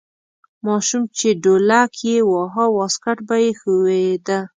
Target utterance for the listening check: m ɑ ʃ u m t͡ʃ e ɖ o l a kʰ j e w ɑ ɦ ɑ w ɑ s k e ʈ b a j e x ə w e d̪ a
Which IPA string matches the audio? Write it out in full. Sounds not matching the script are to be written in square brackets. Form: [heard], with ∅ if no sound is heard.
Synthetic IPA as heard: m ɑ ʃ u m t͡ʃ e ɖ o l a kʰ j e w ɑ ɦ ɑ w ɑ s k [a] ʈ b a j e x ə w e d̪ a